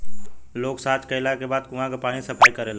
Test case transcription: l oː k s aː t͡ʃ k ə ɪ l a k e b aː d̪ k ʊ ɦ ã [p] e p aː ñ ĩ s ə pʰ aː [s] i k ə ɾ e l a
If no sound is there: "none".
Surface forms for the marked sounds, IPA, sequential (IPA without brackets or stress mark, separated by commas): k, none